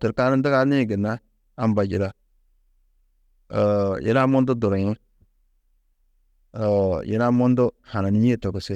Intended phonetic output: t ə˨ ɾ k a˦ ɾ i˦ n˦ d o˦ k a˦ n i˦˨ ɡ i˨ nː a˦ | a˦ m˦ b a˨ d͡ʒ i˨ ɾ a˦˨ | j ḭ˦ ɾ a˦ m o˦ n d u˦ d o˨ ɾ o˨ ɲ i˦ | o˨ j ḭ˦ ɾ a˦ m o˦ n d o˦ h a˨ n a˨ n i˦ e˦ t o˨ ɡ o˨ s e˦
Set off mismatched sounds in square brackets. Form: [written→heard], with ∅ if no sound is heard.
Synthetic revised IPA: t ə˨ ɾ k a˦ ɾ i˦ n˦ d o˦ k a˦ n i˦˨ ɡ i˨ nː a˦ | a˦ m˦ b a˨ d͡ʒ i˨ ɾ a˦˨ | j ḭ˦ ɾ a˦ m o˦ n d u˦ d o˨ ɾ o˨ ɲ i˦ | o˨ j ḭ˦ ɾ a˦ m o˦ n d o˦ h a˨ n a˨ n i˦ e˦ t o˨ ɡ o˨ s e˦